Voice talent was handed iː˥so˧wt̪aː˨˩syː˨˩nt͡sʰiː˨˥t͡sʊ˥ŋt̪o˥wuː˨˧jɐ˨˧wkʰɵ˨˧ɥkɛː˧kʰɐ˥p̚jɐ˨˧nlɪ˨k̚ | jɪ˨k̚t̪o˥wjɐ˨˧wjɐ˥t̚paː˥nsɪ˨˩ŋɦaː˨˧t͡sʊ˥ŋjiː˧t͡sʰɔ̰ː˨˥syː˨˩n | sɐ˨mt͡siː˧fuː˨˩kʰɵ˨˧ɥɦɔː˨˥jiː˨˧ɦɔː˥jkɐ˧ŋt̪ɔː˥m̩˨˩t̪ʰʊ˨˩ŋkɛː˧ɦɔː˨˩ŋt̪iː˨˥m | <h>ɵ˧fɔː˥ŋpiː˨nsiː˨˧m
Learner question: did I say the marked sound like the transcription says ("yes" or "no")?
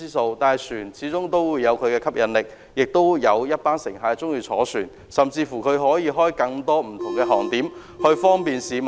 yes